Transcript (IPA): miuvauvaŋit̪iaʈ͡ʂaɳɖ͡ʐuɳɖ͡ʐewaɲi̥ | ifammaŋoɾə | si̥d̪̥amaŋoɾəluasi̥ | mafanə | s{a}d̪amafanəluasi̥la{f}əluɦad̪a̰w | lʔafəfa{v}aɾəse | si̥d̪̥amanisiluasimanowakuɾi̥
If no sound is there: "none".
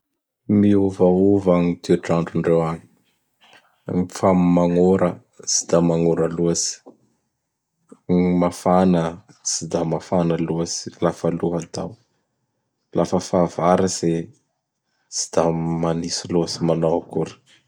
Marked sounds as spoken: i, f, v

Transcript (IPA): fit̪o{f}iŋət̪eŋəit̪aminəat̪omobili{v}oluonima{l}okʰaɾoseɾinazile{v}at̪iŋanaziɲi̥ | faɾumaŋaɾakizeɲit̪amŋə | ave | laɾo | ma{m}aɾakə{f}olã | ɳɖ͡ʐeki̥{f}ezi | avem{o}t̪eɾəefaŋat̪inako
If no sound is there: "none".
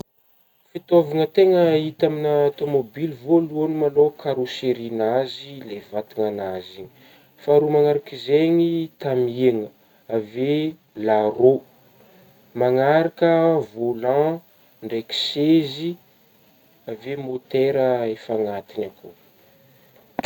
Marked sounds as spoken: v, v, l, v, ŋ, v, s, o

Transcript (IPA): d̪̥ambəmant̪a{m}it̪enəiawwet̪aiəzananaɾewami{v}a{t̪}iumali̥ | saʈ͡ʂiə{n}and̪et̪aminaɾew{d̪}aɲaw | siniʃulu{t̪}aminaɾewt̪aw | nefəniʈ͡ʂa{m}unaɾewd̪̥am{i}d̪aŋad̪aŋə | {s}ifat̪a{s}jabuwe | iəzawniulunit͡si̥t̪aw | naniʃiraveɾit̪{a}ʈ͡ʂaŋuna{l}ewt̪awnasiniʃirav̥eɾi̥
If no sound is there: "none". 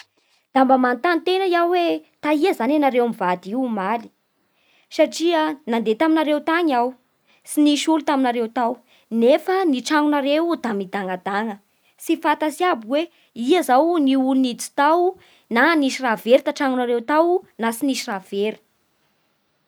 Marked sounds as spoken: n, v, d̪, n, t̪, t̪, ŋ, i, s, s, a, ɾ

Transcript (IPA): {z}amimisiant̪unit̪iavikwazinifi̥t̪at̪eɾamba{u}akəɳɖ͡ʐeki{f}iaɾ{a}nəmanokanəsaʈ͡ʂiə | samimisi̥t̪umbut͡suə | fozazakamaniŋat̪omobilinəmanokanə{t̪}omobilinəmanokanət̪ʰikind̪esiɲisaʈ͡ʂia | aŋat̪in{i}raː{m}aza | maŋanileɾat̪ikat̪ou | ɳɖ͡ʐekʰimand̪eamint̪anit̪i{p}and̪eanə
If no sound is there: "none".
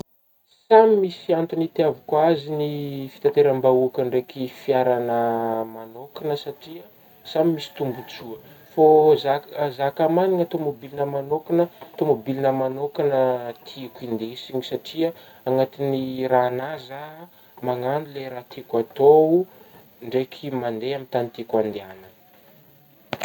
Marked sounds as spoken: s, u, f, a, t̪, i, n, k

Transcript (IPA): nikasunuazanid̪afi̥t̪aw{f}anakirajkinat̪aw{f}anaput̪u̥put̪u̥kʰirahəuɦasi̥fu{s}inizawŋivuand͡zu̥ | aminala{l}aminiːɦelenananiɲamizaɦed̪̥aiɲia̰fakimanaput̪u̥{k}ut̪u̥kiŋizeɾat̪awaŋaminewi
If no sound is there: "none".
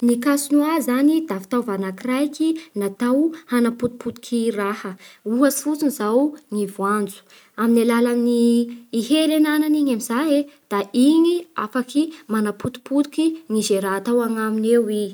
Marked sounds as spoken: v, h, t͡s, l, p

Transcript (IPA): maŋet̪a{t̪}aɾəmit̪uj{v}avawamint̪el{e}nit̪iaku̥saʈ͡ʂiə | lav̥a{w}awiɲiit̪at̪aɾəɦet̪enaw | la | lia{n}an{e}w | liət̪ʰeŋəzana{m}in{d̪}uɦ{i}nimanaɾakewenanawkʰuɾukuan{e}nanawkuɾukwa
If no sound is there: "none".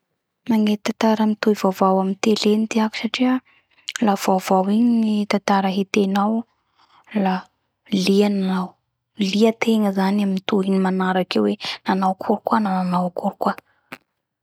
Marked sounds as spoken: t̪, v, e, v, n, a, m, t̪, i, a

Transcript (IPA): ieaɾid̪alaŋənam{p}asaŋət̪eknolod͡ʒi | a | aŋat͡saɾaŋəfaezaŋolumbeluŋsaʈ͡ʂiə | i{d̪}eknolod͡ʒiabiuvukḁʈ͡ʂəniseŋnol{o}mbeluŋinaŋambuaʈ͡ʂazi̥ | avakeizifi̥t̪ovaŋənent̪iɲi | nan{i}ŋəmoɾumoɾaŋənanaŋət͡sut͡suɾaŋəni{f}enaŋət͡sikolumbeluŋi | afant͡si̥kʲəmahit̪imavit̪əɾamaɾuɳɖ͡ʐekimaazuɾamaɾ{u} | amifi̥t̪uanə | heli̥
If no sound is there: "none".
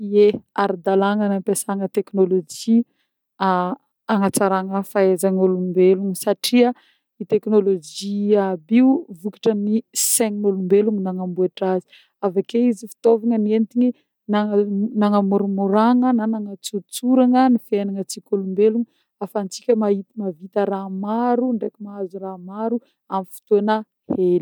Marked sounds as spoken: p, t̪, u, a, f, u

